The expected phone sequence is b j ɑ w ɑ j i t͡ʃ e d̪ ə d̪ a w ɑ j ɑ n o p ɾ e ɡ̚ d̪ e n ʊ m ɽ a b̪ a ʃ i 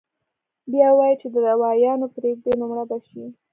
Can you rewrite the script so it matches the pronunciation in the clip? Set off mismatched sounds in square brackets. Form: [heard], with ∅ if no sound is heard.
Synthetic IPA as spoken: b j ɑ w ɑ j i t͡ʃ e d̪ ə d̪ a w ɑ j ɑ n o p ɾ e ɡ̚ d̪ e n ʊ m ɽ a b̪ a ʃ i